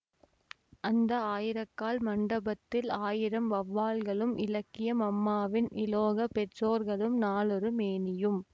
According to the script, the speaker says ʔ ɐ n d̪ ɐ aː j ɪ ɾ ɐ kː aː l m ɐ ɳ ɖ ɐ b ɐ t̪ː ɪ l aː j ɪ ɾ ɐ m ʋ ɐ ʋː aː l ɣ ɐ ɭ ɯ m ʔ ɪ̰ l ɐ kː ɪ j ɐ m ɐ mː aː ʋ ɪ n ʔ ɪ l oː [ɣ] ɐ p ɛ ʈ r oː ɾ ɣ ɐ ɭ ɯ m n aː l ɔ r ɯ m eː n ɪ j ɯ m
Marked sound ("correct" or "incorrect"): correct